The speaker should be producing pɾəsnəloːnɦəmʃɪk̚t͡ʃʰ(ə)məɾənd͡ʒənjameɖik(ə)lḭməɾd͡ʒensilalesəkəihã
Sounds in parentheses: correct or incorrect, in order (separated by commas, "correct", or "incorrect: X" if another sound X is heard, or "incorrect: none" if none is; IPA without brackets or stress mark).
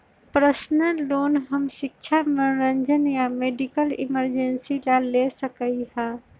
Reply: incorrect: a, correct